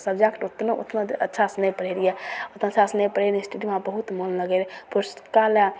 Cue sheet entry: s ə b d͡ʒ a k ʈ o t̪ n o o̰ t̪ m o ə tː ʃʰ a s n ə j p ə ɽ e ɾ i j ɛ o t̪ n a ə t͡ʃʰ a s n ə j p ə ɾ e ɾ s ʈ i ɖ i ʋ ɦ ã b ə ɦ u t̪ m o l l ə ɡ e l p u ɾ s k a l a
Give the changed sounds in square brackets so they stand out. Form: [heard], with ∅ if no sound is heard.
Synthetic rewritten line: s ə b d͡ʒ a k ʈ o t̪ n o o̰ t̪ [n] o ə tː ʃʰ a s n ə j p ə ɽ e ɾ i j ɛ o t̪ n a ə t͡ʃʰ a s n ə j p ə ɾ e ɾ s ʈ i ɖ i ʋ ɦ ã b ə ɦ u t̪ m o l l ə ɡ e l p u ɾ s k a l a